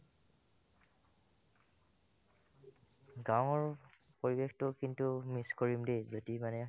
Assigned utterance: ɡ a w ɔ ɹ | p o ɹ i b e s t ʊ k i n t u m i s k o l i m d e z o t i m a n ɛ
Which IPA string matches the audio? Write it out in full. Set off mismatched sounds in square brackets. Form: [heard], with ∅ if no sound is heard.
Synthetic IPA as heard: ɡ a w ɔ ɹ | p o ɹ i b e [x] t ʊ k i n t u m i s k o [ɹ] i m d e z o t i m a n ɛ